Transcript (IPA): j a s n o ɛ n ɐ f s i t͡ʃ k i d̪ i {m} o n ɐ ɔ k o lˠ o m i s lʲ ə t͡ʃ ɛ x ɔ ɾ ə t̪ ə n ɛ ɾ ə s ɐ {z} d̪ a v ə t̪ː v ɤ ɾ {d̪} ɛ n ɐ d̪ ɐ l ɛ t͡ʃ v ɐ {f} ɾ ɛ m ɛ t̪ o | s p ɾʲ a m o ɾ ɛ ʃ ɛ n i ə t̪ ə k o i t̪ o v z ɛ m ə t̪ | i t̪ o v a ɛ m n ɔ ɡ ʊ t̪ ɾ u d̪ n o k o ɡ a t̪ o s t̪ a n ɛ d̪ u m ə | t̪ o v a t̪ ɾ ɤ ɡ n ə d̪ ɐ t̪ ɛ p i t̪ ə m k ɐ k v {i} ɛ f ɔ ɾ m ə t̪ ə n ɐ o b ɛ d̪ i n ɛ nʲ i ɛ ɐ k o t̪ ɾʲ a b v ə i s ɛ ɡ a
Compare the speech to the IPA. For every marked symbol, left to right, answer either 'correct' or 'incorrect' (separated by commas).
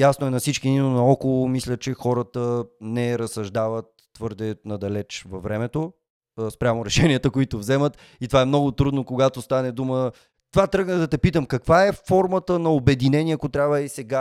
incorrect, incorrect, correct, incorrect, incorrect